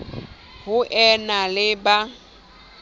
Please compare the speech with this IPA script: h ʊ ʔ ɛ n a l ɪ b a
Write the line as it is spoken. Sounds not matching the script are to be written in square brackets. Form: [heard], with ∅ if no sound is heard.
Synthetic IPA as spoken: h ʊ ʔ ɛ n a l ɪ b a